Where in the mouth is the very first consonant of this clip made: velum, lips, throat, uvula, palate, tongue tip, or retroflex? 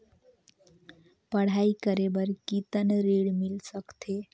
lips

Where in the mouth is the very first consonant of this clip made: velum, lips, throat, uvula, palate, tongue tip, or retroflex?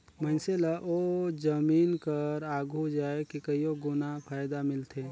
lips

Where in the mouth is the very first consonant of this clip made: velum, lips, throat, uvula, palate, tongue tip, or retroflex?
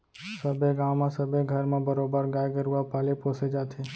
tongue tip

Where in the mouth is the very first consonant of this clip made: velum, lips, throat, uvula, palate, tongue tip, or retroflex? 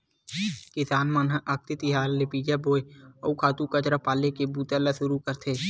velum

